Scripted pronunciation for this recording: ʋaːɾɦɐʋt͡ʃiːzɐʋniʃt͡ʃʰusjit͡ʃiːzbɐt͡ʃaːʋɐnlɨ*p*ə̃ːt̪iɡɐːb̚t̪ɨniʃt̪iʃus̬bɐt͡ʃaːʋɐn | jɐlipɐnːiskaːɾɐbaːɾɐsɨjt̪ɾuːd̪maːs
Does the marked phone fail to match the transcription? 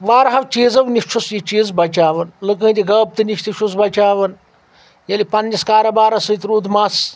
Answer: yes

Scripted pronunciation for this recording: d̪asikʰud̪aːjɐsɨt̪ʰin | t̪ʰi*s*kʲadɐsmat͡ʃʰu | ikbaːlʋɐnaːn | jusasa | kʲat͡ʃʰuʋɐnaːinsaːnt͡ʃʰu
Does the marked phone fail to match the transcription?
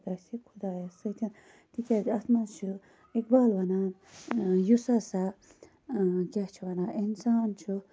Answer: yes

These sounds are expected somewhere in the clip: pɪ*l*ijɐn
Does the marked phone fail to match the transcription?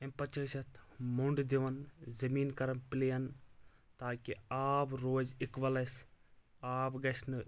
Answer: no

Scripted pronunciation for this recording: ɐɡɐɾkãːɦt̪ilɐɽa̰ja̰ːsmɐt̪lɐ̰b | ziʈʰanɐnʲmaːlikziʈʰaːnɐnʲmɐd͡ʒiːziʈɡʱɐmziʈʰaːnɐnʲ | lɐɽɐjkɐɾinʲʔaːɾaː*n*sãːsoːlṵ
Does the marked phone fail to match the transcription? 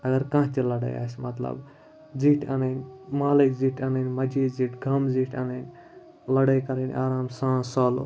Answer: yes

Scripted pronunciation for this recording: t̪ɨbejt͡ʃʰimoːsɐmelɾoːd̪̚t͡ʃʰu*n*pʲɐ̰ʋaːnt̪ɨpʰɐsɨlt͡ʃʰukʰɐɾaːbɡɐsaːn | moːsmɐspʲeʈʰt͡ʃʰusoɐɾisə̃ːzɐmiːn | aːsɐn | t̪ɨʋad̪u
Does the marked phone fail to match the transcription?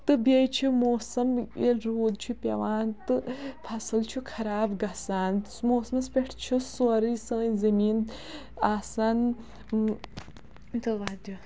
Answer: yes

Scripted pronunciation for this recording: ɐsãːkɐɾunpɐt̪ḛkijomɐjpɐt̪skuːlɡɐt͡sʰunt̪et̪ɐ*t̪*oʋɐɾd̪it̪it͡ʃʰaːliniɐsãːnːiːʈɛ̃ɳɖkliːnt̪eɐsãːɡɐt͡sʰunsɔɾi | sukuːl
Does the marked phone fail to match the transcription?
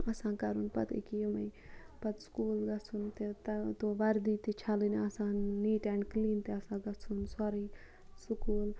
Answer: no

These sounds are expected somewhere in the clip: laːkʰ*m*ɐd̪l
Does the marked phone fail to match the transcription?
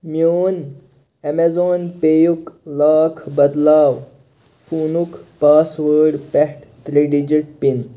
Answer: yes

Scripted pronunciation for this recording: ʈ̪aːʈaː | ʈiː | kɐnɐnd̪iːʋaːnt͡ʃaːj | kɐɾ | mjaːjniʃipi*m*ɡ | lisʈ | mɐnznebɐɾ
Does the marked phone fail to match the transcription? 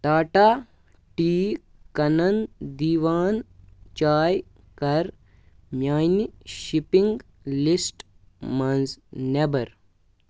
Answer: yes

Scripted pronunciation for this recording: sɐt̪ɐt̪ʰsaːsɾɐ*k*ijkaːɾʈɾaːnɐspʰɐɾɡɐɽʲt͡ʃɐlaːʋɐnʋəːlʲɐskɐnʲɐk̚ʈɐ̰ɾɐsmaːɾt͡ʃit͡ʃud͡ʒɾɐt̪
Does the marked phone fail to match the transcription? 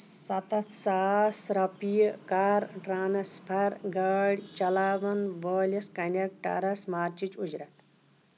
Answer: yes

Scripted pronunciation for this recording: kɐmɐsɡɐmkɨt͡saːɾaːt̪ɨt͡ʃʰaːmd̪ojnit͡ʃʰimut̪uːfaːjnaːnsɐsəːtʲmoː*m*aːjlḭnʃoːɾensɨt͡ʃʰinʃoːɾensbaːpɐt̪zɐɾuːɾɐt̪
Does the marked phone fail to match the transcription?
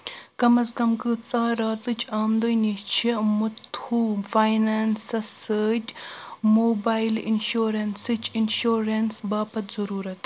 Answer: yes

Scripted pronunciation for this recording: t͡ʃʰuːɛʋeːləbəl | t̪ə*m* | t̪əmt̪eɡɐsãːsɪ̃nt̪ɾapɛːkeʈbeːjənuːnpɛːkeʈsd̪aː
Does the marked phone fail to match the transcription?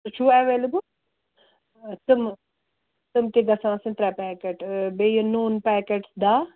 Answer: no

